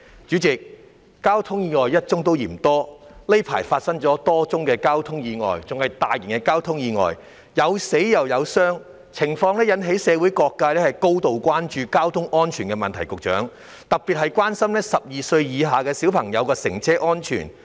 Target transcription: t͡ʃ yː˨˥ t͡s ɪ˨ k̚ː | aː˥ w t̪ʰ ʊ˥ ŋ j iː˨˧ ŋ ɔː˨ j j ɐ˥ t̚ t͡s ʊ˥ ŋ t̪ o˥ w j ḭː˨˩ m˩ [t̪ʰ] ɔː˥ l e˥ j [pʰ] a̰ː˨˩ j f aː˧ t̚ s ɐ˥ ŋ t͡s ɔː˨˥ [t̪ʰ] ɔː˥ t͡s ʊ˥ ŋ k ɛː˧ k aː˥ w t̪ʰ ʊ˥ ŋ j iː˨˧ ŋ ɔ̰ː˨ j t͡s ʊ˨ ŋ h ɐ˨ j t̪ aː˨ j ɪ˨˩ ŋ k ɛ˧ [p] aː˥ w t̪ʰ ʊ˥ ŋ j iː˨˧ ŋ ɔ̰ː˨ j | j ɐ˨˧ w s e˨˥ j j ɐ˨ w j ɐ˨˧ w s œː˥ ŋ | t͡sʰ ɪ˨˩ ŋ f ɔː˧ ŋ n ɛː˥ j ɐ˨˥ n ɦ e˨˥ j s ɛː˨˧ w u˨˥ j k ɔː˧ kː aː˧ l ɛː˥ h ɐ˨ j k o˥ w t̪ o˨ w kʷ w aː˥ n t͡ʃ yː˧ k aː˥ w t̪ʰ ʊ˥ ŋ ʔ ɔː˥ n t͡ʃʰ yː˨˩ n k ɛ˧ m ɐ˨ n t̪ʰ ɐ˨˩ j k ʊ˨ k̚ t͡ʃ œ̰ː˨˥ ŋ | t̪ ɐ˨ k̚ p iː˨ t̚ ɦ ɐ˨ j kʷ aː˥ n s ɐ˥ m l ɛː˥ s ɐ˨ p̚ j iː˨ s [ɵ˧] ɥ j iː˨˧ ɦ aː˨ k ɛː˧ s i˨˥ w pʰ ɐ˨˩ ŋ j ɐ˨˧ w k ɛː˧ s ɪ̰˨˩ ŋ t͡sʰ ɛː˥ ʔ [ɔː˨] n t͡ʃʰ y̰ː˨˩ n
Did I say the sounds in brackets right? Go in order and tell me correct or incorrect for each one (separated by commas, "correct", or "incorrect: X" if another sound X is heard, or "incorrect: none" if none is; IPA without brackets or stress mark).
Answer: incorrect: t̪, correct, incorrect: t̪, incorrect: k, correct, incorrect: ɔː˥